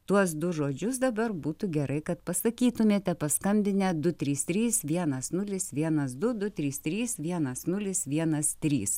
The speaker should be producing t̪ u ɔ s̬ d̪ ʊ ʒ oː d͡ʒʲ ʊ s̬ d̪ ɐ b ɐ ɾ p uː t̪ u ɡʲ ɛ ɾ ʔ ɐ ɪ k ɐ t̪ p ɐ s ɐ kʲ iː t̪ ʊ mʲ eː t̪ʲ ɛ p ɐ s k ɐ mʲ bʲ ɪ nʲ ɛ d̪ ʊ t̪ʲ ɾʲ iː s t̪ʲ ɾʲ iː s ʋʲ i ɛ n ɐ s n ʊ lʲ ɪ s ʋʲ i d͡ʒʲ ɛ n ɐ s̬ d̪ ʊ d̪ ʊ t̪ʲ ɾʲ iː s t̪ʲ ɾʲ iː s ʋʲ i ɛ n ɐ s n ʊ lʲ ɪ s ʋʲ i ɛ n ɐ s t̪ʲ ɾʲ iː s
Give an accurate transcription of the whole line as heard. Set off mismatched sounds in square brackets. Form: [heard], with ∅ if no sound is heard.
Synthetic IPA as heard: t̪ u ɔ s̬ d̪ ʊ ʒ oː d͡ʒʲ ʊ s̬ d̪ ɐ b ɐ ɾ [b] uː t̪ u ɡʲ ɛ ɾ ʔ ɐ ɪ k ɐ t̪ p ɐ s ɐ kʲ iː t̪ ʊ mʲ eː t̪ʲ ɛ p ɐ s k ɐ mʲ bʲ ɪ nʲ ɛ d̪ ʊ t̪ʲ ɾʲ iː s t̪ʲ ɾʲ iː s ʋʲ i ɛ n ɐ s n ʊ lʲ ɪ s ʋʲ i [∅] ɛ n ɐ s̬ d̪ ʊ d̪ ʊ t̪ʲ ɾʲ iː s t̪ʲ ɾʲ iː s ʋʲ i ɛ n ɐ s n ʊ lʲ ɪ s ʋʲ i ɛ n ɐ s t̪ʲ ɾʲ iː s